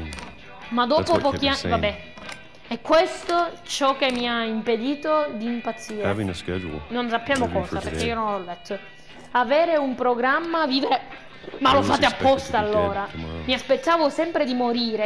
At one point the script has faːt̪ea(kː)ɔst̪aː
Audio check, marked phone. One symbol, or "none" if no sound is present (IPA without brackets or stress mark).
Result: pː